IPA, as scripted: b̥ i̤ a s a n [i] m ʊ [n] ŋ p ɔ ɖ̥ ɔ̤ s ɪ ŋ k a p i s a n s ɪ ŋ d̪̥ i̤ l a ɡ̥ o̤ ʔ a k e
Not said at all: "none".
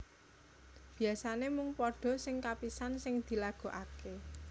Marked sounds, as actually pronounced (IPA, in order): e, none

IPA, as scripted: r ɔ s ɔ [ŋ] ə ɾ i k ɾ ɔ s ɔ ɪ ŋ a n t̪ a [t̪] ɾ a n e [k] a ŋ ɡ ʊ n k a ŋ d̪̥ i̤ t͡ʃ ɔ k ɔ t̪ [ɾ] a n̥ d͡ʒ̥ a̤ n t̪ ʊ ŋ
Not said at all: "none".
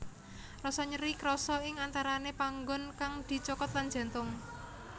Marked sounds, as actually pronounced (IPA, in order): ɲ, none, p, l

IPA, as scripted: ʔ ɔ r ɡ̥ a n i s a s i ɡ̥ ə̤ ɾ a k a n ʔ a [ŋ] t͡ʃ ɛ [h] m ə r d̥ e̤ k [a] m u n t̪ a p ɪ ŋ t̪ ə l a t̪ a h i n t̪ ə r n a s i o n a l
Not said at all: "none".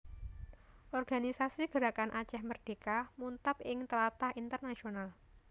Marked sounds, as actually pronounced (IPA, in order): none, h, a

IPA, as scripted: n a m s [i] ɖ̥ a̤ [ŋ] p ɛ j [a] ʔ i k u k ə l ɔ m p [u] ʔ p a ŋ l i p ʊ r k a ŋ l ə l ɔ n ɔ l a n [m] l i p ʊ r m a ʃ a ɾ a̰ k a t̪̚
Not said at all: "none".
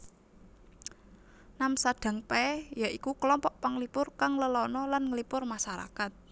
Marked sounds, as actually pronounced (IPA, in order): a, ŋ, a, ɔ, ŋ

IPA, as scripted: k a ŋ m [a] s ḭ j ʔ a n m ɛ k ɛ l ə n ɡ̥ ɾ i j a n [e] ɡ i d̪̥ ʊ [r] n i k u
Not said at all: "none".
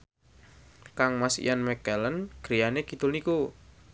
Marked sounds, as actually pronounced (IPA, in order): a, e, l

